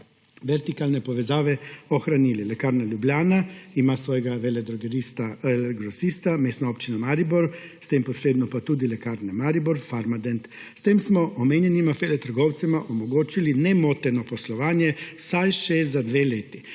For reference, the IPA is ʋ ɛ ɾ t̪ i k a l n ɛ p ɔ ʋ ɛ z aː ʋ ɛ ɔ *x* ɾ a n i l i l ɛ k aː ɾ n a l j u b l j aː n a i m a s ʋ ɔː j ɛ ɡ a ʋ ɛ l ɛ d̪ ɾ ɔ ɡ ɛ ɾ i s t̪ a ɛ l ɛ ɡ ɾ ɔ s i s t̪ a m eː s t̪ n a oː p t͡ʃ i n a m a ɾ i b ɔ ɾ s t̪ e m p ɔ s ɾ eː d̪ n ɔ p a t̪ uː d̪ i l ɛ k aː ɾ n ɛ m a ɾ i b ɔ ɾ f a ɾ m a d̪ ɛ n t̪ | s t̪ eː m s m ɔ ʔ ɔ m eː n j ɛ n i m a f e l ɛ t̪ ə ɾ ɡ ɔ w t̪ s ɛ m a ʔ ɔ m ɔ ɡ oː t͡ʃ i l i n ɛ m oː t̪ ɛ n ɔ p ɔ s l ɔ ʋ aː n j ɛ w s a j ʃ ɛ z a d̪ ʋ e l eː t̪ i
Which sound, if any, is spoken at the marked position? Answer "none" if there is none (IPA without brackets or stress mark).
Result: x